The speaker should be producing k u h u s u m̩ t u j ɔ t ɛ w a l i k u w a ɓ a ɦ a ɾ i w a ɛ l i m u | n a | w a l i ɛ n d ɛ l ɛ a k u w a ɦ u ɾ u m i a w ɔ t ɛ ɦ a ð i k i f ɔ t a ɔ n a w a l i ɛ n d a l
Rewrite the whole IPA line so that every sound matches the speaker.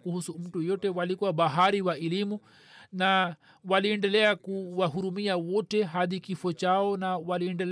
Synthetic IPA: k u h u s u m̩ t u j ɔ t ɛ w a l i k u w a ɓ a ɦ a ɾ i w a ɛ l i m u | n a | w a l i ɛ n d ɛ l ɛ a k u w a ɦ u ɾ u m i a w ɔ t ɛ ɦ a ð i k i f ɔ t͡ʃ a ɔ n a w a l i ɛ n d ɛ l